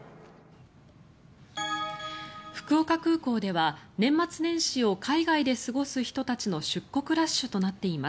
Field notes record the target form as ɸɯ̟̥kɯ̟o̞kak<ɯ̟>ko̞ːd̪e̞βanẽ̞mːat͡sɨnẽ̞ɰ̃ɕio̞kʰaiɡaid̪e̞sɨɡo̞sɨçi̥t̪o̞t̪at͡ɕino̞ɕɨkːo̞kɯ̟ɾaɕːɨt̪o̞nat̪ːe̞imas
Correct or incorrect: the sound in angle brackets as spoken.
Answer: incorrect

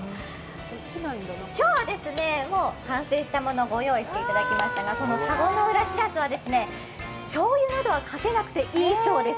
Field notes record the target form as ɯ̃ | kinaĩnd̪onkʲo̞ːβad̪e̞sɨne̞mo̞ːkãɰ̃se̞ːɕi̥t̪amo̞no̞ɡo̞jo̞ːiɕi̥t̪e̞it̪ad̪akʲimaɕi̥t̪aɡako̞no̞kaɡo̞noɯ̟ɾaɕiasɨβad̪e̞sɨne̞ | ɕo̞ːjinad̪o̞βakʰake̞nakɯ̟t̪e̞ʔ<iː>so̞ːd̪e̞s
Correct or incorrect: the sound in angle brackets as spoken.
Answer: correct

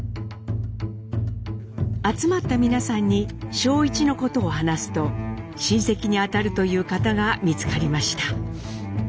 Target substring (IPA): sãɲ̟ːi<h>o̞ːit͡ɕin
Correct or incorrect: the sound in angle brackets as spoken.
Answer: incorrect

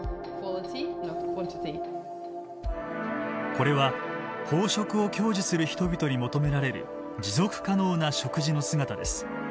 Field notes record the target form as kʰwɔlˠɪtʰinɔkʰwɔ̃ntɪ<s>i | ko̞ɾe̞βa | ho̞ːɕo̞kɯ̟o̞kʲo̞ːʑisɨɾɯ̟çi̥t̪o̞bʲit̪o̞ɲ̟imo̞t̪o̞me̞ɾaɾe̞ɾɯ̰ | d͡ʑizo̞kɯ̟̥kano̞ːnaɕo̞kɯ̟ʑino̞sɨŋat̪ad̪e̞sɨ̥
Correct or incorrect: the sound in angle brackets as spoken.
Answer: incorrect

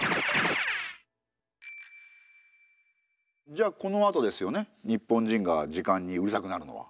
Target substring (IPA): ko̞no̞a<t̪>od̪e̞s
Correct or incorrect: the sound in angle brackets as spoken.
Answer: correct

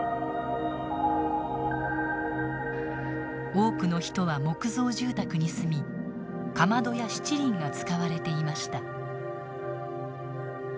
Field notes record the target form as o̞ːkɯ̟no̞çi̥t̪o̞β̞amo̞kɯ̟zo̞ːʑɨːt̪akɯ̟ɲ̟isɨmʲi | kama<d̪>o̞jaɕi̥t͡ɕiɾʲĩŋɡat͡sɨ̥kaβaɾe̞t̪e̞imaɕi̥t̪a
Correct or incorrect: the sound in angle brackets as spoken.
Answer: correct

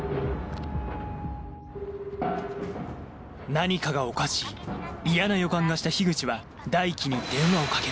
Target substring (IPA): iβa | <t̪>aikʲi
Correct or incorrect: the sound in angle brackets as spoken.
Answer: incorrect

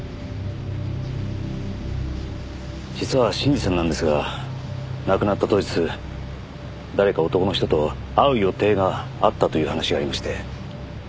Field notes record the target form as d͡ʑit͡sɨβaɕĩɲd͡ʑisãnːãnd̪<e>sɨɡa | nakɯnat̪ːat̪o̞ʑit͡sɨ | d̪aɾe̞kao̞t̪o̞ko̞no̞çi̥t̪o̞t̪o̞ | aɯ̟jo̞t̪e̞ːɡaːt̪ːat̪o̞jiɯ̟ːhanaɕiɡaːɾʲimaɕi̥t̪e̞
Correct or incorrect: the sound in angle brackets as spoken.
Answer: correct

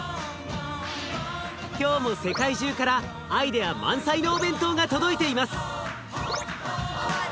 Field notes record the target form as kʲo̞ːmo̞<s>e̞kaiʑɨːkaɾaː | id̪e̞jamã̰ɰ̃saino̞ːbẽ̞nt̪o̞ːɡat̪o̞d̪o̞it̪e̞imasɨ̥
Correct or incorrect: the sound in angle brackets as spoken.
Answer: correct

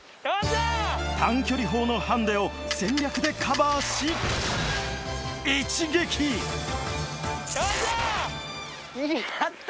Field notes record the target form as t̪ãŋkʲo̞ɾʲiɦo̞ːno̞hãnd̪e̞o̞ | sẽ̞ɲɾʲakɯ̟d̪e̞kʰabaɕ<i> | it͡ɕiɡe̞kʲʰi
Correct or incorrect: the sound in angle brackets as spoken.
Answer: correct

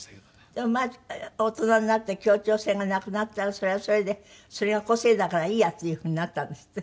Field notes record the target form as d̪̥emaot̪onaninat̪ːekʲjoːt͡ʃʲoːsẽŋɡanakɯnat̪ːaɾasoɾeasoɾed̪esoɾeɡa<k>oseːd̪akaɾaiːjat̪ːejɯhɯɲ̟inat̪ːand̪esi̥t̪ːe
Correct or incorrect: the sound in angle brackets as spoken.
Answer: correct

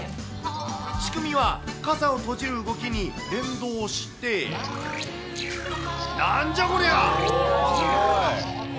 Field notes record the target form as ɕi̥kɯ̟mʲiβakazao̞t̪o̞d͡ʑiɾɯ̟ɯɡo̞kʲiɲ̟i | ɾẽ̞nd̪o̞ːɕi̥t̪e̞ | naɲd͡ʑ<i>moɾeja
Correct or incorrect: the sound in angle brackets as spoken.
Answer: incorrect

